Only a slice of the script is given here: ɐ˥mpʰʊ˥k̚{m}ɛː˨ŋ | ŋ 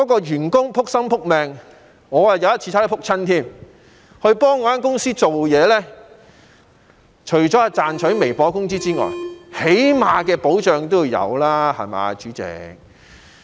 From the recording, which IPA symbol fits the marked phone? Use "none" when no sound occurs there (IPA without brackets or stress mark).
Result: m